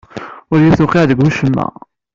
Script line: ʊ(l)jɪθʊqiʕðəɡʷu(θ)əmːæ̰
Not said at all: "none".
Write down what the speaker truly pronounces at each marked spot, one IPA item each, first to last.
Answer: ɾ, ʃ

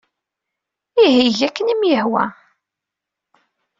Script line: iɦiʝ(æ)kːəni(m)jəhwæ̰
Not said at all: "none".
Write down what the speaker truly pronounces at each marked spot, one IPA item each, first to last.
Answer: æ, m

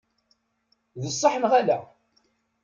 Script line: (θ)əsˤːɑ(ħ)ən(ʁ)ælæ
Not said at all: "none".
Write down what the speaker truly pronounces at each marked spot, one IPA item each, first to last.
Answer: ð, ħ, ʁ

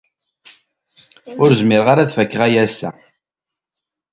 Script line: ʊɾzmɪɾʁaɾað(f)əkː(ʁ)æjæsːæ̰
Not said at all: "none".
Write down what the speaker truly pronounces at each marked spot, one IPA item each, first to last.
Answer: f, ʁ

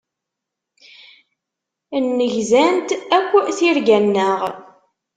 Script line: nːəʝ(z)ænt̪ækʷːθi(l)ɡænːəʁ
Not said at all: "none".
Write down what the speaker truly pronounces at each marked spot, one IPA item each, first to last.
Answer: z, ɾ

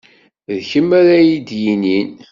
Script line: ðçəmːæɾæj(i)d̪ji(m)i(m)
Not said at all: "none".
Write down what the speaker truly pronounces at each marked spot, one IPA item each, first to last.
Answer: i, n, n

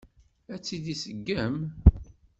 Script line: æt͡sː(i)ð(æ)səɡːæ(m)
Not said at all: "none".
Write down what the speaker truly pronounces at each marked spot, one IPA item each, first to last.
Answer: i, i, m

